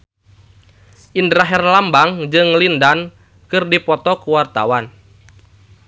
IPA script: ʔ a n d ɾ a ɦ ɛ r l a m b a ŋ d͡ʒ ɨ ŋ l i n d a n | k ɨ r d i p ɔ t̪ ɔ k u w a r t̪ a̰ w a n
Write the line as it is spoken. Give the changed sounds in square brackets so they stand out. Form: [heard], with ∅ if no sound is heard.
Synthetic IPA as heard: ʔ [i] n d ɾ a ɦ ɛ r l a m b a ŋ d͡ʒ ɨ ŋ l i n d a n | k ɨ r d i p ɔ t̪ ɔ k u w a r t̪ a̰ w a n